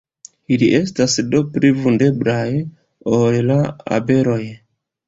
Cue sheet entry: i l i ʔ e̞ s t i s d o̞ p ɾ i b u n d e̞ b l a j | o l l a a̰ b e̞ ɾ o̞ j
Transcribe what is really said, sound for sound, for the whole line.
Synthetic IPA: i l i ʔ e̞ s t a s d o̞ p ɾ i v u n d e̞ b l a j | o l l a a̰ b e̞ ɾ o̞ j